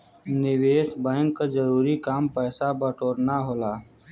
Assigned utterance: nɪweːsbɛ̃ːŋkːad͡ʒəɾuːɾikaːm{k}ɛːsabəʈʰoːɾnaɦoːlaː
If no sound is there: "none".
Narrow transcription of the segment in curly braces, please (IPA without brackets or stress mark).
p